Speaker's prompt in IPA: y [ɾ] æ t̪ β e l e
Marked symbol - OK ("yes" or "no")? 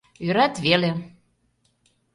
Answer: yes